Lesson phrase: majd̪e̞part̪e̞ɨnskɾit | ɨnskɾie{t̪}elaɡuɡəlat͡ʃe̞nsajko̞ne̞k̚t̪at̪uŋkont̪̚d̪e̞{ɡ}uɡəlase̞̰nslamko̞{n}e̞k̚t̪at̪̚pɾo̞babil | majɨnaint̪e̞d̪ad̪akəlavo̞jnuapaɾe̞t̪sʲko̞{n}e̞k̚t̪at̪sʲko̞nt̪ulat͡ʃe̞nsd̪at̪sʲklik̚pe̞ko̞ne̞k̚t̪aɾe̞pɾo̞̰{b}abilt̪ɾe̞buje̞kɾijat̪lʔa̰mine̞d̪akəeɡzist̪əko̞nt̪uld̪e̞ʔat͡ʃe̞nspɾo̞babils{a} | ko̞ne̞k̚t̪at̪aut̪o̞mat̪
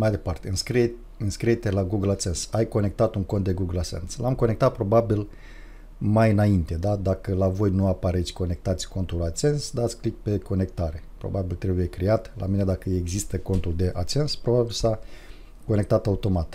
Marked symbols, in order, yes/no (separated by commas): yes, yes, yes, yes, yes, yes